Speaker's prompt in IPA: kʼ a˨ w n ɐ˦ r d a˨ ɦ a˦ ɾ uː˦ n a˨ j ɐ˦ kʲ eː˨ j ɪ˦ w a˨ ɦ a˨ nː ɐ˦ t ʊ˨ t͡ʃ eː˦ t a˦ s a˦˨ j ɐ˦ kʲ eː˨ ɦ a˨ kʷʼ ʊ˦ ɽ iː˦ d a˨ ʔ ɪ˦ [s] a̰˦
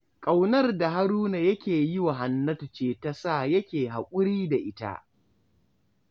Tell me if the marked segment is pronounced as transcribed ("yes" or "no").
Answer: no